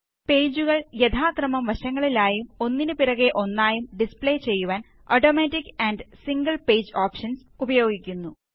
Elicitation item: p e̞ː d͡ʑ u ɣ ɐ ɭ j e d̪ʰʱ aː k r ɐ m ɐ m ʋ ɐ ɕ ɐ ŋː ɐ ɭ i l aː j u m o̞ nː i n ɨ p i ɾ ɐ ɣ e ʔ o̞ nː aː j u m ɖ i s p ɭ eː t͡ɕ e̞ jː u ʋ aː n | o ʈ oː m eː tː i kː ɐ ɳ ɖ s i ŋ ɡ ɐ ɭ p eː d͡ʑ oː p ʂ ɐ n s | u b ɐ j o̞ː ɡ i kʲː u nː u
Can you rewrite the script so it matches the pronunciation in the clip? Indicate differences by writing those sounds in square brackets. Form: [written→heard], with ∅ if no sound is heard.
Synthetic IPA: p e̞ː d͡ʑ u ɣ ɐ ɭ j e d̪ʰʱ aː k r ɐ m ɐ m ʋ ɐ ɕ ɐ ŋː ɐ ɭ i l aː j u m o̞ nː i n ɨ p i ɾ ɐ ɣ e ʔ o̞ nː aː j u m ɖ i s p ɭ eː t͡ɕ e̞ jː u ʋ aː n | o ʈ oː m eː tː i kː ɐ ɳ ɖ s i ŋ ɡ ɐ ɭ p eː d͡ʑ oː p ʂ ɐ n s | u b ɐ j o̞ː ɡ i kʲː u nː u